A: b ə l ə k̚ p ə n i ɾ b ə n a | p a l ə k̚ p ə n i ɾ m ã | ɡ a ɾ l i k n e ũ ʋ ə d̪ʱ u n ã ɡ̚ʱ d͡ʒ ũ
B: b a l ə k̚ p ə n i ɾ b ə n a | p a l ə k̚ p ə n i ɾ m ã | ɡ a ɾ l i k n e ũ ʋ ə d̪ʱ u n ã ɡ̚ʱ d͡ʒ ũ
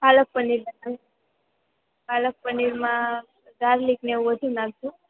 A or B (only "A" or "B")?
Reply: B